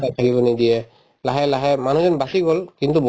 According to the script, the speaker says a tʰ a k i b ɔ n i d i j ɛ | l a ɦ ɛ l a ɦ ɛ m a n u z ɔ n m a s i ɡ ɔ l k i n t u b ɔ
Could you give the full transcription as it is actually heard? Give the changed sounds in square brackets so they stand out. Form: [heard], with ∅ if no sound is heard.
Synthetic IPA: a tʰ a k i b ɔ n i d i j ɛ | l a ɦ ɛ l a ɦ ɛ m a n u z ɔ n [b] a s i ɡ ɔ l k i n t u b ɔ